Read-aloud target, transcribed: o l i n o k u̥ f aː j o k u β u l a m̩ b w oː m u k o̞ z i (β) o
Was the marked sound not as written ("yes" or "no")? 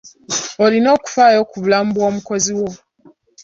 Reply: yes